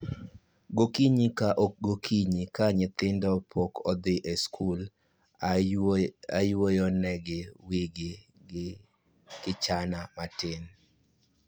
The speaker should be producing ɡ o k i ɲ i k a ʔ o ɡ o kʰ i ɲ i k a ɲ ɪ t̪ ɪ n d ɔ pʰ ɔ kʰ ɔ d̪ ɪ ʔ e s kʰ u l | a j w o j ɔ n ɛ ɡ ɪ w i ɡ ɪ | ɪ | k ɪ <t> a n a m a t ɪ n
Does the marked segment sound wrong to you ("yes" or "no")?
yes